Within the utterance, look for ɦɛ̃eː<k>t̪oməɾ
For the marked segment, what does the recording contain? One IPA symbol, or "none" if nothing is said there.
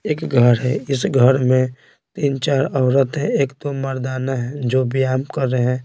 k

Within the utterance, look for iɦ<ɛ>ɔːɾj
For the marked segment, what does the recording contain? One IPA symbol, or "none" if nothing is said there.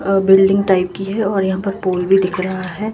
ɛ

